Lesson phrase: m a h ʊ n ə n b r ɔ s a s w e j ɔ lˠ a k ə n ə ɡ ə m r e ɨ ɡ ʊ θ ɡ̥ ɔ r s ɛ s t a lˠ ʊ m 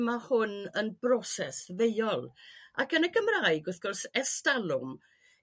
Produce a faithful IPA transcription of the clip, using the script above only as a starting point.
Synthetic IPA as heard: m a h ʊ n ə n b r ɔ s ɛ s v e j ɔ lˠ a k ə n ə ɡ ə m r a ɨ ɡ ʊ θ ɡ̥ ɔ r s ɛ s t a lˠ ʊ m